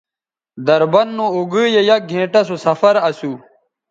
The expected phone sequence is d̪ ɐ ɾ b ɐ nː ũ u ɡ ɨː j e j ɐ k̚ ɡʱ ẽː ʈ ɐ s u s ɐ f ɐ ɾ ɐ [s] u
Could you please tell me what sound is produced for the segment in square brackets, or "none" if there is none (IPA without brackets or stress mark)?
s